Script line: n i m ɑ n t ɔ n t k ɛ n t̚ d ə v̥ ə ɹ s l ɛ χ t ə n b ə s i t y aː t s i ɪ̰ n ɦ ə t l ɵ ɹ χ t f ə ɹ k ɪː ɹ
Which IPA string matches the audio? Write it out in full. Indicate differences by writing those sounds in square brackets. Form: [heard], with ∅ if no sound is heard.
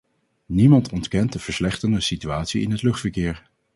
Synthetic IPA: n i m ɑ n t ɔ n t k ɛ n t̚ d ə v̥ ə ɹ s l ɛ χ t ə n [d] ə s i t y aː t s i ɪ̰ n ɦ ə t l ɵ [∅] χ t f ə ɹ k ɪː ɹ